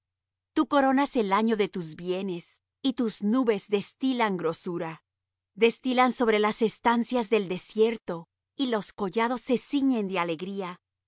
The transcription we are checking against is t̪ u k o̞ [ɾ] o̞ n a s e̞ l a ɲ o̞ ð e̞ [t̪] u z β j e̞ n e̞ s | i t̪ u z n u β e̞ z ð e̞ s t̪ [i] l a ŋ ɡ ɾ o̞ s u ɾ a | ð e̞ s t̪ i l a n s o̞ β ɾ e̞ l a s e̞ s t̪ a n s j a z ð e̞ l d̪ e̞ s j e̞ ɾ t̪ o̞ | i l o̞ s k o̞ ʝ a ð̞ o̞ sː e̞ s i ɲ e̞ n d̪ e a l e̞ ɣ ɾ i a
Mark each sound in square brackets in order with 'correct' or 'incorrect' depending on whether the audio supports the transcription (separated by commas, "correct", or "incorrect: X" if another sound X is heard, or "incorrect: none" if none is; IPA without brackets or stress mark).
correct, correct, correct